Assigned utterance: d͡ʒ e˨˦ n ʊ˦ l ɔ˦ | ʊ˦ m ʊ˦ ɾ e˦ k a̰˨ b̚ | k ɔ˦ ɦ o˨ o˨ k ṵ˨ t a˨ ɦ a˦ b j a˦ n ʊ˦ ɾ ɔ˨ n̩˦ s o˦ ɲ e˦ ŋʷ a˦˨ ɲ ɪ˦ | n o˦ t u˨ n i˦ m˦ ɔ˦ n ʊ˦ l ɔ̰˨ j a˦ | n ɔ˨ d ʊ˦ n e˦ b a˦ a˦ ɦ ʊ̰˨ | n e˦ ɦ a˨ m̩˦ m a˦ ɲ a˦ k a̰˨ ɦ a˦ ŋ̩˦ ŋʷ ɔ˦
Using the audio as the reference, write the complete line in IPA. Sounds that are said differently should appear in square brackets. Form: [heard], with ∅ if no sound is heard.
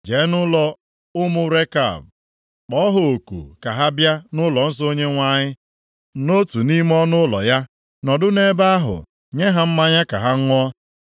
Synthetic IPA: d͡ʒ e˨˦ n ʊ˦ l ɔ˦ | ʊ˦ m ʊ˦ ɾ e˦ k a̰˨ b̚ | [k͡p] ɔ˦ ɦ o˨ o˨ k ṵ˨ [k] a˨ ɦ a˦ b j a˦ n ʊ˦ [l] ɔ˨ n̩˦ s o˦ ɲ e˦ ŋʷ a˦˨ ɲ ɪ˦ | n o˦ t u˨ n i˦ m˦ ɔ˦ n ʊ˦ l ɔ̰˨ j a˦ | n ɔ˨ d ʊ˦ n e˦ b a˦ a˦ ɦ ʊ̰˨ | [ɲ] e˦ ɦ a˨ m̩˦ m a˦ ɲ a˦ k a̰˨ ɦ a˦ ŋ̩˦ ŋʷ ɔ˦

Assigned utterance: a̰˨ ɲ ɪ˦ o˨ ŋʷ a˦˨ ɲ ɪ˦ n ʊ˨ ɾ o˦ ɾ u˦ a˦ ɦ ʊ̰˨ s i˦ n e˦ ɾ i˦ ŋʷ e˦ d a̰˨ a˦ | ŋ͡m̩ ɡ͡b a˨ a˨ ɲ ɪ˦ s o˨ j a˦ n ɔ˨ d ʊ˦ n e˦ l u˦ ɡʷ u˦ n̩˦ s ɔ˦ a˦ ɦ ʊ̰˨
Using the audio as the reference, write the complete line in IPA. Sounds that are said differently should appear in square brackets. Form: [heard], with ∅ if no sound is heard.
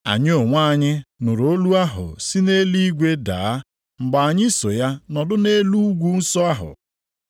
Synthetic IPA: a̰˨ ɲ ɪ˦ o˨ ŋʷ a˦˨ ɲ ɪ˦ n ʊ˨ ɾ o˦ [l] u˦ a˦ ɦ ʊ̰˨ s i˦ n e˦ [l] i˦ [ɡʷ] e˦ d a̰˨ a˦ | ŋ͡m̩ ɡ͡b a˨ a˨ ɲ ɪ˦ s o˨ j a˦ n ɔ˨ d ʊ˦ n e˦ l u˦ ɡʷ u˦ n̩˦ s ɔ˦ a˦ ɦ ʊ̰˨

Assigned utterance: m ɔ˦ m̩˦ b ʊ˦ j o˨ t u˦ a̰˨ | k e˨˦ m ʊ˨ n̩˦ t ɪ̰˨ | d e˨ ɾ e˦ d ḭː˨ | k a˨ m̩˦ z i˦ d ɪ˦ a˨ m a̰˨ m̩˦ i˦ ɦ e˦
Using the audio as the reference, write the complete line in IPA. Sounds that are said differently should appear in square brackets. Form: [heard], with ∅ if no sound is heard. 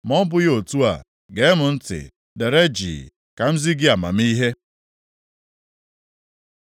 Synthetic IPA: m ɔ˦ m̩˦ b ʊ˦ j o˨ t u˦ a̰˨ | [ɡ] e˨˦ m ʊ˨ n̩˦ t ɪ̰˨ | d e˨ ɾ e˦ [d͡ʒ] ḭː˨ | k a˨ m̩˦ z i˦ [ɡ] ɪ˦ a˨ m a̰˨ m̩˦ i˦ ɦ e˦

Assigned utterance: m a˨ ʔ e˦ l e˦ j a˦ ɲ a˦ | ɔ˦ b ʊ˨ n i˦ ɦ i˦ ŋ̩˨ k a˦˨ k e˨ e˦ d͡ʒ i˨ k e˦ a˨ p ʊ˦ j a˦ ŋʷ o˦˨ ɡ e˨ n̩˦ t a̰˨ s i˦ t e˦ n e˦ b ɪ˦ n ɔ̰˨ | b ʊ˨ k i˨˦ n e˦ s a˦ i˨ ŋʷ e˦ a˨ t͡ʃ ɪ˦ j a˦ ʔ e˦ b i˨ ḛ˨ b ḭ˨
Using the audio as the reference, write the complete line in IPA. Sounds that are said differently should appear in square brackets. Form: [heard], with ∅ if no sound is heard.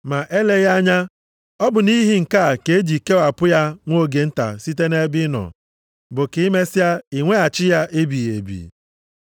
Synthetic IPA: m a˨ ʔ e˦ l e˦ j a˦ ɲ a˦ | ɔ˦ b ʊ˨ n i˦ ɦ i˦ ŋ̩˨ k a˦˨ k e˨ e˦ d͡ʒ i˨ k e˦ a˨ p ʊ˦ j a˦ ŋʷ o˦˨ ɡ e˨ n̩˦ t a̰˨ s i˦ t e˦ n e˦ b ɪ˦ n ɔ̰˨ | b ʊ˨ k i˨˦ [m] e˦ s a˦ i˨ ŋʷ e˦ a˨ t͡ʃ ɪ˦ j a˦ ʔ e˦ b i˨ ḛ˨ b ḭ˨

